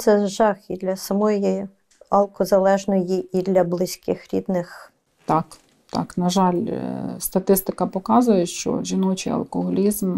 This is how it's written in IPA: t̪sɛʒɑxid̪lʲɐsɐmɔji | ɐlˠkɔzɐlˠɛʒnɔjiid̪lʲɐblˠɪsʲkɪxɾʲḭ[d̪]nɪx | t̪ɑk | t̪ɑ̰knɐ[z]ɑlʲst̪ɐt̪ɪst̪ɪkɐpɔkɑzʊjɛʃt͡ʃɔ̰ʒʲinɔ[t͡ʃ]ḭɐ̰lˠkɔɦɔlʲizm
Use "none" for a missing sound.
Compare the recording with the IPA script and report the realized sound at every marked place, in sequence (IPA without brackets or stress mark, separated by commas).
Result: d̪, ʒ, t͡ʃ